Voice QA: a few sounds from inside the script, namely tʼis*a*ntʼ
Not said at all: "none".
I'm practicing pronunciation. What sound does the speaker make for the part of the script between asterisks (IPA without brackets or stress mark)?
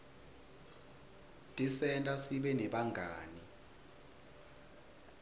ɛ